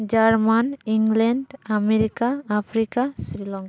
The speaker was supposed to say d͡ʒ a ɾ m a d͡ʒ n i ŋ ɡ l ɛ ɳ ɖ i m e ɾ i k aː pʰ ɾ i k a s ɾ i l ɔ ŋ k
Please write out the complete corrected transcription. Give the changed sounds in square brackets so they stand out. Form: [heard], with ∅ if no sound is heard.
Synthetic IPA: d͡ʒ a ɾ m a [∅] n i ŋ ɡ l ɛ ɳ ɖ [a] m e ɾ i k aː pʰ ɾ i k a s ɾ i l ɔ ŋ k